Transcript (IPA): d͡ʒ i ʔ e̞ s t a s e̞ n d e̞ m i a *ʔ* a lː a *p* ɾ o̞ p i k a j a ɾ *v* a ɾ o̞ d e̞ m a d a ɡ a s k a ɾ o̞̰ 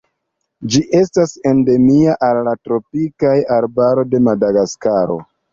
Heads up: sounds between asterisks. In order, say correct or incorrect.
correct, incorrect: t, incorrect: b

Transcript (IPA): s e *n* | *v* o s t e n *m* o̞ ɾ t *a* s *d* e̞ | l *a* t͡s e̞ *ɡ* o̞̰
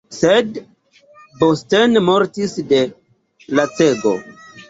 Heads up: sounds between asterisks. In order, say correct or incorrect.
incorrect: d, incorrect: b, correct, incorrect: i, correct, correct, correct

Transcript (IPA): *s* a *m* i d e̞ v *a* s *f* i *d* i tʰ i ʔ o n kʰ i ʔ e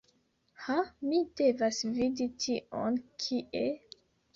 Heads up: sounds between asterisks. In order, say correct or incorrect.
incorrect: h, correct, correct, incorrect: v, correct

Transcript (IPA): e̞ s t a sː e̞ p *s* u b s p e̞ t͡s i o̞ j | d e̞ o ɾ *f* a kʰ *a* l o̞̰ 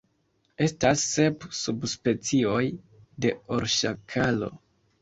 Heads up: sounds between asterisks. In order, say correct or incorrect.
correct, incorrect: ʃ, correct

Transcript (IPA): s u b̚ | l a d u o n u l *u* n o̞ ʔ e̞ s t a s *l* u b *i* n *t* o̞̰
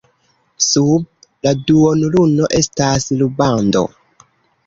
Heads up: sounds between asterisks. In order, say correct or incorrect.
correct, correct, incorrect: a, incorrect: d

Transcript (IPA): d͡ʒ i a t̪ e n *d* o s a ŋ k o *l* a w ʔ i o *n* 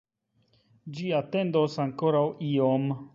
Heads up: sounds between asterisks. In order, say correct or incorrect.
correct, incorrect: ɾ, incorrect: m

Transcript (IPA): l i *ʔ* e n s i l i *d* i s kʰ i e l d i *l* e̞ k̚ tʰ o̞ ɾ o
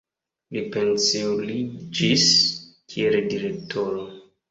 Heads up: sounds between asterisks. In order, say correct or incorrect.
incorrect: p, incorrect: d͡ʒ, incorrect: ɾ

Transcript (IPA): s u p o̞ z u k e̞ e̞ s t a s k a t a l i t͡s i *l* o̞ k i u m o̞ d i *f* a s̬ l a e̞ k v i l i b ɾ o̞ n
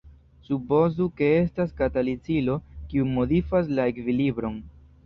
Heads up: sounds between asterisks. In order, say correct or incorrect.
correct, correct

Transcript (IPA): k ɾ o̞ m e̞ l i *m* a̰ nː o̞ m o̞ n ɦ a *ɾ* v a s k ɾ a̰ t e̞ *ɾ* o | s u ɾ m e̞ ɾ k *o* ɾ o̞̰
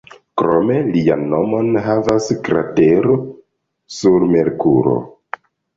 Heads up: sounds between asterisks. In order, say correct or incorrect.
incorrect: none, incorrect: none, correct, incorrect: u

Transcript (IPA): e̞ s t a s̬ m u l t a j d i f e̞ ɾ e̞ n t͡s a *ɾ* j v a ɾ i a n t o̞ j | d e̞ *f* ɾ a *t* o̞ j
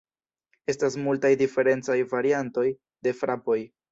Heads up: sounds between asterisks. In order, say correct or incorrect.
incorrect: none, correct, incorrect: p

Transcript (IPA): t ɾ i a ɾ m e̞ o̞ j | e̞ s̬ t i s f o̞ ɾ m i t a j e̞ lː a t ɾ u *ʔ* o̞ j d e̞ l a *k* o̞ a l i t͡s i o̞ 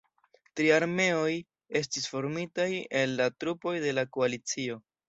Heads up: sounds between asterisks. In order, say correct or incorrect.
incorrect: p, correct

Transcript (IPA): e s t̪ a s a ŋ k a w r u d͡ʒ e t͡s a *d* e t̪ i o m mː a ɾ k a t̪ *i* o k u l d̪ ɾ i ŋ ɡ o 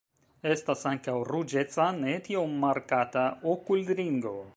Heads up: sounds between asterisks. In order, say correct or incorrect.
incorrect: n, incorrect: a

